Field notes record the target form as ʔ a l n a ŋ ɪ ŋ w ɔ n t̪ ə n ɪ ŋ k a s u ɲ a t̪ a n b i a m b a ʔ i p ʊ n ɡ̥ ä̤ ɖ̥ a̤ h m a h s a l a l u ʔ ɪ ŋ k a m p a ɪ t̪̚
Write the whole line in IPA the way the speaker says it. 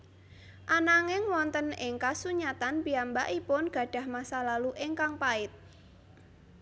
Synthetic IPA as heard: ʔ a n a ŋ ɪ ŋ w ɔ n t̪ ə n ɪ ŋ k a s u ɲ a t̪ a n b i a m b a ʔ i p ʊ n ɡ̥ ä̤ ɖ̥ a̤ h m a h s a l a l u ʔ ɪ ŋ k a ŋ p a ɪ t̪̚